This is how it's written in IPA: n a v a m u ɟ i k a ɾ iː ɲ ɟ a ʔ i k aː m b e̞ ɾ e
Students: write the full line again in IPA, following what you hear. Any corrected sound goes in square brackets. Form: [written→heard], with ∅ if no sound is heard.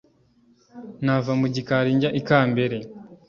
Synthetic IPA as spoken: n a v a m u ɟ i k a ɾ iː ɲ ɟ a ʔ i k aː m b e̞ ɾ e